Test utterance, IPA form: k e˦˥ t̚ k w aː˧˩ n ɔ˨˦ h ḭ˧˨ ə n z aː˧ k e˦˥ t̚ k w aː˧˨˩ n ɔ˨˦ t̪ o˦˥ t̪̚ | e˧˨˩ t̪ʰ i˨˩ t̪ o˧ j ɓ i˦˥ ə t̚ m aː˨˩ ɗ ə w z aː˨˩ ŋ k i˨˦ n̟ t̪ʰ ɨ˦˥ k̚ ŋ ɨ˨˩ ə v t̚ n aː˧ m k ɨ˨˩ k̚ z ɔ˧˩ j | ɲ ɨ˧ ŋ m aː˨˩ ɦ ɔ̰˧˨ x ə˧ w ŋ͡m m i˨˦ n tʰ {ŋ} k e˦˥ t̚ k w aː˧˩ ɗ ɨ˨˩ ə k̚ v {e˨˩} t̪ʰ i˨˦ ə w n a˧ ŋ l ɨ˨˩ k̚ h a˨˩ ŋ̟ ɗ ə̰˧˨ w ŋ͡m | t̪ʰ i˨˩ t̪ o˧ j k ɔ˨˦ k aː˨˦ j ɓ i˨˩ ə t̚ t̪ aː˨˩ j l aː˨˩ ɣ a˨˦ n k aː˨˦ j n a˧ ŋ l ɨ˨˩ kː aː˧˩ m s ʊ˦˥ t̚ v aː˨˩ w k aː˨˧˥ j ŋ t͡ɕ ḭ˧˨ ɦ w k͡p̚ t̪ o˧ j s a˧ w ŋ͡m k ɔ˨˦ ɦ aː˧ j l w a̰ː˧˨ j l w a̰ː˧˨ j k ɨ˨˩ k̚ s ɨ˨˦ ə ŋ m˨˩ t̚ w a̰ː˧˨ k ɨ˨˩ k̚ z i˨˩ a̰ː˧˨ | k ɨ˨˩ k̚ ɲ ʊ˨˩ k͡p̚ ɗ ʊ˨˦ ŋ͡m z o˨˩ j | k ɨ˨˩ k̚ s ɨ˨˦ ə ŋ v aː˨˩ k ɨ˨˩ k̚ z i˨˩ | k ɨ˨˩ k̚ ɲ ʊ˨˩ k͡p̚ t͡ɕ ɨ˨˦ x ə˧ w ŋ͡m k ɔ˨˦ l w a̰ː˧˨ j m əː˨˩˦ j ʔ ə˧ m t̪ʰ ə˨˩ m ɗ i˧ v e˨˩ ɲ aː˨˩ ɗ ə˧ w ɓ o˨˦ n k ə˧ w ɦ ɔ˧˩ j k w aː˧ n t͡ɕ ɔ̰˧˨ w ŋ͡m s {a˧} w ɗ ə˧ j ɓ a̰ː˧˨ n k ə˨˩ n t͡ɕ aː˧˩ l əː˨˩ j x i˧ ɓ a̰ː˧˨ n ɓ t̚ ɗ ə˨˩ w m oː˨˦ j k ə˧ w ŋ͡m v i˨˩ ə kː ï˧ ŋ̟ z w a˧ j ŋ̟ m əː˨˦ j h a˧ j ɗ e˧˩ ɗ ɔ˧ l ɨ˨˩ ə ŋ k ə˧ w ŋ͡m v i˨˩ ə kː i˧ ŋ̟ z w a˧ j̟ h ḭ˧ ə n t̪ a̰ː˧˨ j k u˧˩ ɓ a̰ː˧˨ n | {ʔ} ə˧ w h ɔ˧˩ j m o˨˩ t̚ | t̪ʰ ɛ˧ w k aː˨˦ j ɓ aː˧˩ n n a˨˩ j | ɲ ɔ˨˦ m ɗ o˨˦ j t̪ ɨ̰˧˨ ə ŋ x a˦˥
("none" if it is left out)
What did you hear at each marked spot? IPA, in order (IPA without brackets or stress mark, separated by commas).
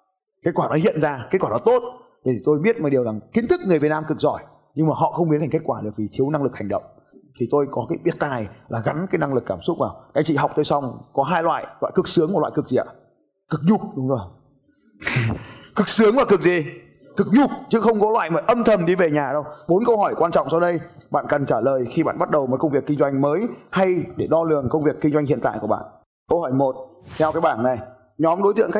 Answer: ŋ, i˨˩, a˧, k